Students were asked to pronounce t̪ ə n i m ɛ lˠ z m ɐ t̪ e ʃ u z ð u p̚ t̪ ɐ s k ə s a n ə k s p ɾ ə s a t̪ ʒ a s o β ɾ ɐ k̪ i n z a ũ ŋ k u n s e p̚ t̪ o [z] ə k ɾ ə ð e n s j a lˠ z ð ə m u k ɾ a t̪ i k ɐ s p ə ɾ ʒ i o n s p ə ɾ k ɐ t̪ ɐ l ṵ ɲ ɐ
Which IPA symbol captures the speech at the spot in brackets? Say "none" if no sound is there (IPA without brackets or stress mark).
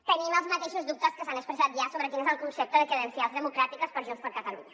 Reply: ð